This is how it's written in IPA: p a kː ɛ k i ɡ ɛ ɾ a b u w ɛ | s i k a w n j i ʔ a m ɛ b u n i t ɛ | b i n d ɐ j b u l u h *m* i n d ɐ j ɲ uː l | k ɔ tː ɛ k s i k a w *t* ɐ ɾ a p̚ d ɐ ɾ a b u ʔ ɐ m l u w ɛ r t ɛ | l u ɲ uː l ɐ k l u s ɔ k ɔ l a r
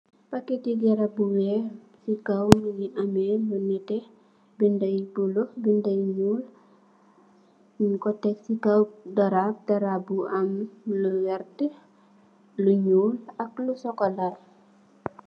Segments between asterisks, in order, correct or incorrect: incorrect: b, incorrect: d

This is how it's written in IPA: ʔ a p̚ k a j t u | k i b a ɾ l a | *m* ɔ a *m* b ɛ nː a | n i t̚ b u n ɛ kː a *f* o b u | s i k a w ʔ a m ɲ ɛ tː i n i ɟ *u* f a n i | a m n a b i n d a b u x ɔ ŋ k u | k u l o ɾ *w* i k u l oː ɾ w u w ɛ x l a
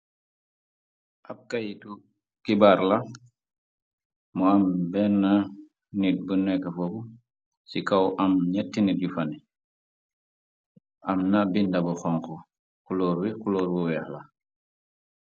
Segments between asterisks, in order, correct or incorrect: correct, correct, correct, correct, correct

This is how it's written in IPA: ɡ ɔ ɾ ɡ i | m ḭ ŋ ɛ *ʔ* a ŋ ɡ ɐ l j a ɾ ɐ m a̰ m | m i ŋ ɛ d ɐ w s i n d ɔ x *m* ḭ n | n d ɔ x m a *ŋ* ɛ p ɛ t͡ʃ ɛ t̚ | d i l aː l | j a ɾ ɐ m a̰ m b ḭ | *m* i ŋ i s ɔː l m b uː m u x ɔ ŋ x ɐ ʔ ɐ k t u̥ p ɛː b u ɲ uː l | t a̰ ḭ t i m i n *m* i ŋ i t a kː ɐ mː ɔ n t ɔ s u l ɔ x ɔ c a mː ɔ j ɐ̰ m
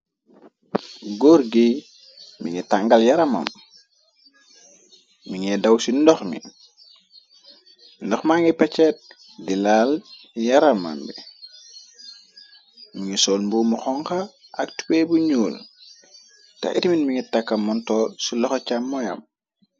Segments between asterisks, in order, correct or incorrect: incorrect: t, correct, correct, correct, correct

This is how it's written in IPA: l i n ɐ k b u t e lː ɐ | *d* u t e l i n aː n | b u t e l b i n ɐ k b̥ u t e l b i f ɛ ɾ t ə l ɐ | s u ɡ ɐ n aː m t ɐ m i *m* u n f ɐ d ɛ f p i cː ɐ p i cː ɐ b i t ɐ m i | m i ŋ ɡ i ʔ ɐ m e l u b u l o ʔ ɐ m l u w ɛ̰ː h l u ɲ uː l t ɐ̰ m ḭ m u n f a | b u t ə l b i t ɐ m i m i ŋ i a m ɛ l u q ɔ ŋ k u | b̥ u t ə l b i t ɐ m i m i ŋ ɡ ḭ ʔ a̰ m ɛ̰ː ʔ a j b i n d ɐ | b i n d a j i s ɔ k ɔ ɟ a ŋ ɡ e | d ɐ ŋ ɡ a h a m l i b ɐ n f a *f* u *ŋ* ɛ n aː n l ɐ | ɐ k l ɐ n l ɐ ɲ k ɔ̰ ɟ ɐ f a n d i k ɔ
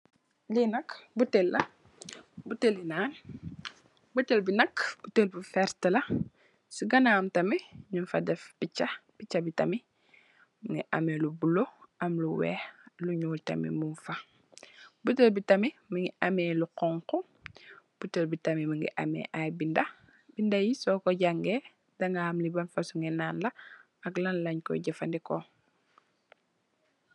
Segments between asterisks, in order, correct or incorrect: incorrect: b, incorrect: ɲ, incorrect: s, correct

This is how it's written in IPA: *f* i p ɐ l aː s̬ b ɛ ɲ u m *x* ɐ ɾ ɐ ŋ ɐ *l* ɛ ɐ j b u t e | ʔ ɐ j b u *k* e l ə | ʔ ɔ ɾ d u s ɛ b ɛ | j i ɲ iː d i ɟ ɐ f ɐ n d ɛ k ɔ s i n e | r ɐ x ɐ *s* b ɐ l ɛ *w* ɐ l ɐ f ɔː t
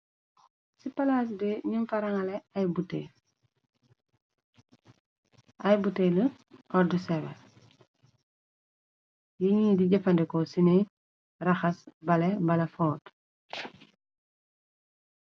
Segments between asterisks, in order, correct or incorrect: incorrect: s, incorrect: f, correct, incorrect: t, correct, incorrect: b

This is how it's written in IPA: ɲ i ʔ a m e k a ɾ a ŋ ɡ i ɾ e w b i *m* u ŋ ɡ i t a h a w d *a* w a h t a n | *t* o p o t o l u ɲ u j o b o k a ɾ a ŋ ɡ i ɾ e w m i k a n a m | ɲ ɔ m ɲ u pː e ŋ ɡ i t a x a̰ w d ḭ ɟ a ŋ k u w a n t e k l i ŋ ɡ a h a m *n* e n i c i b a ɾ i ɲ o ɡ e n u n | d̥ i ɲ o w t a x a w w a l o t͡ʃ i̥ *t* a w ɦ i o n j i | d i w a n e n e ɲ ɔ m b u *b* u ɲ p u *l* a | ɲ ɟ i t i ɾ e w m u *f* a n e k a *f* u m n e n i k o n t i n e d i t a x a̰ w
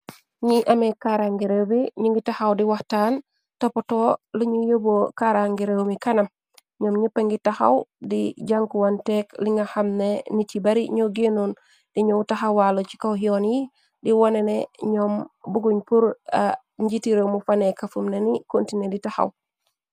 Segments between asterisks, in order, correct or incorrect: incorrect: ɲ, incorrect: i, correct, correct, incorrect: k, incorrect: ɡ, incorrect: ɾ, correct, correct

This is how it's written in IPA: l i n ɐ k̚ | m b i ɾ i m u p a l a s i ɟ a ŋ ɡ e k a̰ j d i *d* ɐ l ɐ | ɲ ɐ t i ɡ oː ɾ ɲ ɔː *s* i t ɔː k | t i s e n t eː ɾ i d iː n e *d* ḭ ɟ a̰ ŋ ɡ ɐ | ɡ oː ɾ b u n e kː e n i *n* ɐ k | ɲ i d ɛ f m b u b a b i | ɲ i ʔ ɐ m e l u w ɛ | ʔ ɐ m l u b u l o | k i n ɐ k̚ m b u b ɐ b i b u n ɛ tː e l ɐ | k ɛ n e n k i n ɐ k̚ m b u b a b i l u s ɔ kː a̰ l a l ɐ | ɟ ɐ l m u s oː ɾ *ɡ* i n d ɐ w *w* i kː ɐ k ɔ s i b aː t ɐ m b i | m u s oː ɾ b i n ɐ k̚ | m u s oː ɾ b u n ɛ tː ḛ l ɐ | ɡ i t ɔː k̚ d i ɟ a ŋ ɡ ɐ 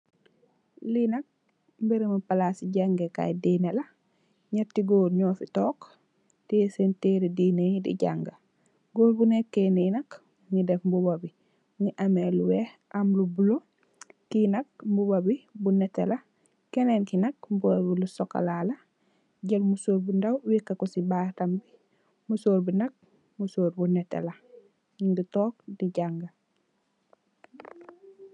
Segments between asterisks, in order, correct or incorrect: incorrect: n, incorrect: f, correct, correct, incorrect: b, correct

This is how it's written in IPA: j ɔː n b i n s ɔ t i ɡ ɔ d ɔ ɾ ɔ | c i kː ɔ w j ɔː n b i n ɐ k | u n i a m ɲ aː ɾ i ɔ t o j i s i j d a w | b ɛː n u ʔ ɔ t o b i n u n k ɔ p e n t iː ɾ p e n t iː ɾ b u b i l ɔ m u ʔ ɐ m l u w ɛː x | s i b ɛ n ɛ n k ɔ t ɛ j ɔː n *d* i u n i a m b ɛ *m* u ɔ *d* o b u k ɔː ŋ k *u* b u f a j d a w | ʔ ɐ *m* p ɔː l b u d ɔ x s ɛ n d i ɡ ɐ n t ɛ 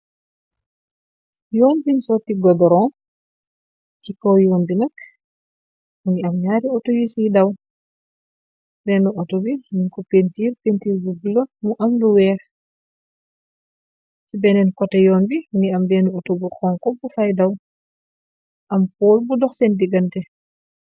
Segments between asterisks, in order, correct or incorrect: incorrect: b, incorrect: n, incorrect: t, incorrect: ɔ, correct

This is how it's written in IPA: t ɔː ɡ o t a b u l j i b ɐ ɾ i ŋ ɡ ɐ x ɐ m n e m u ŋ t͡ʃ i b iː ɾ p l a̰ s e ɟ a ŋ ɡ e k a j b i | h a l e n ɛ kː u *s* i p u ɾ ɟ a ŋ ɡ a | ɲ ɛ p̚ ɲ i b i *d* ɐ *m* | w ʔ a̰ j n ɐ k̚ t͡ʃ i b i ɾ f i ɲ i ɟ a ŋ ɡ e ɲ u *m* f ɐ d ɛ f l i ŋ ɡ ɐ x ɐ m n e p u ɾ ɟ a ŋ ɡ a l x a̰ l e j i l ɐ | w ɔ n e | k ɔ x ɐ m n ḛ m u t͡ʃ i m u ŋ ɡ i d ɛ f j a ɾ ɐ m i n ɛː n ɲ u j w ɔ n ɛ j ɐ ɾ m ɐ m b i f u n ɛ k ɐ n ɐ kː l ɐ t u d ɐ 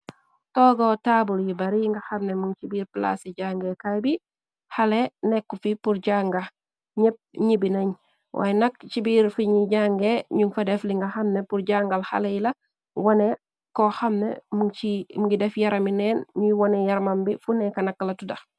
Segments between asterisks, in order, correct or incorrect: incorrect: f, incorrect: n, incorrect: ɲ, incorrect: ŋ

